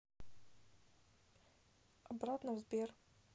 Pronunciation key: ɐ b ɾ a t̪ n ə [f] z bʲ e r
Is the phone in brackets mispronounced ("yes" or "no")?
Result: yes